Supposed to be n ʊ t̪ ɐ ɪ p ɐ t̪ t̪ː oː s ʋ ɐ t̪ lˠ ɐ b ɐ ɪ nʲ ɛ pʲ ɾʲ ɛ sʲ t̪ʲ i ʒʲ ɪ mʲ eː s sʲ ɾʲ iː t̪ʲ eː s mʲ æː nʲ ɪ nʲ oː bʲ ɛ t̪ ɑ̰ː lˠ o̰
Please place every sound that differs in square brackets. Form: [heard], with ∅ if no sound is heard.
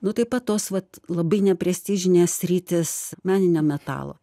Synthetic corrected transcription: n ʊ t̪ ɐ ɪ p ɐ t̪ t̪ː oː s ʋ ɐ t̪ lˠ ɐ b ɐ ɪ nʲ ɛ pʲ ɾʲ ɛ sʲ t̪ʲ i ʒʲ ɪ [nʲ] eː s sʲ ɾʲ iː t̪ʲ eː s mʲ æː nʲ ɪ nʲ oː [mʲ] ɛ t̪ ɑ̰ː lˠ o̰